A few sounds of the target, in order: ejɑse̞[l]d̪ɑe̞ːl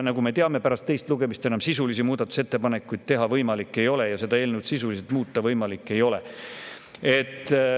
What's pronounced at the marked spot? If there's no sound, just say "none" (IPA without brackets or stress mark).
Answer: none